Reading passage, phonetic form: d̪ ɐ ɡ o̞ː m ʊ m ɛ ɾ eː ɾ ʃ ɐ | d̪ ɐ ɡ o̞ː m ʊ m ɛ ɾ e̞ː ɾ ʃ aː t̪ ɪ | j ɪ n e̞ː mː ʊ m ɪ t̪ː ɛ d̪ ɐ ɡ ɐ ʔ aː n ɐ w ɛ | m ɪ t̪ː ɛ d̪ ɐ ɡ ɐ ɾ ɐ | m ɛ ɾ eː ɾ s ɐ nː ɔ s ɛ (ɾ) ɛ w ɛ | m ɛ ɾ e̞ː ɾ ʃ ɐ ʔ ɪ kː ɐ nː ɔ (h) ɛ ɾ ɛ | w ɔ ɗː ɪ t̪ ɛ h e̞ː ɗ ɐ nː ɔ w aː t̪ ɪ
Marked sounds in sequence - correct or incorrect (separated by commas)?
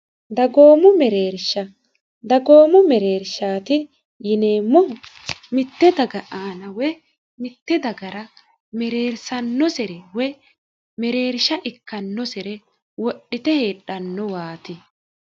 correct, incorrect